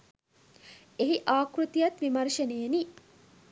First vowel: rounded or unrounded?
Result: unrounded